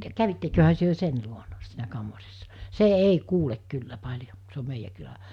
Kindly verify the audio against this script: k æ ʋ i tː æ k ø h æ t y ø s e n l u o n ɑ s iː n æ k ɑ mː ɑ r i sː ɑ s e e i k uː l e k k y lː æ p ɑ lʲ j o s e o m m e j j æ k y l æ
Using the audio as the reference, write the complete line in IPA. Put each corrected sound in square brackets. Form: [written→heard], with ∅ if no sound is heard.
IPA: k æ ʋ i tː [æ→e] k ø h æ t y ø s e n l u o n ɑ s iː n æ k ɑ mː ɑ r i sː ɑ s e e i k uː l e k k y lː æ p ɑ lʲ j o s e o m m e [j→i] j æ k y l æ